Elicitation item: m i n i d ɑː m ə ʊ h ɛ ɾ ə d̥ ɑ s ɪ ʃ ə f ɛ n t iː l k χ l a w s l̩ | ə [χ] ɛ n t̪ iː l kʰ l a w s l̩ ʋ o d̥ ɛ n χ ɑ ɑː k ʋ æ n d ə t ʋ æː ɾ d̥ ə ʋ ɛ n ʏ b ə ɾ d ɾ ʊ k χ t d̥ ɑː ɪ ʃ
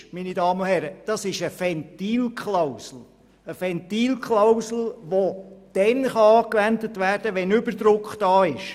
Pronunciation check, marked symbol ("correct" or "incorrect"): incorrect